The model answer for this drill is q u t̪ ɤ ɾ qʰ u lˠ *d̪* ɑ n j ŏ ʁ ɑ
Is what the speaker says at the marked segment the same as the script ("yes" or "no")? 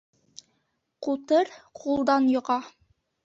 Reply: yes